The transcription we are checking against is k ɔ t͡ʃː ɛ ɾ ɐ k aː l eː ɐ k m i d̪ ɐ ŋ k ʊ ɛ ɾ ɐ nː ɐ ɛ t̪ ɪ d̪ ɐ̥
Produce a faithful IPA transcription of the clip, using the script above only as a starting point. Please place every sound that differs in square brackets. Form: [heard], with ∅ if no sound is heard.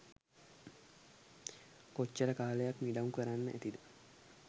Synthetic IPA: k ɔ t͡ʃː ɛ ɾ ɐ k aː l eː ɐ k m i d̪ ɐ ŋ k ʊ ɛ ɾ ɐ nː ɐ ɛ t̪ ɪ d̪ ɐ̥